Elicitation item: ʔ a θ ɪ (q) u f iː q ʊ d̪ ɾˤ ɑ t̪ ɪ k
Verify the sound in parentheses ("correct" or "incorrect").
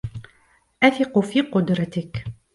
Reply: correct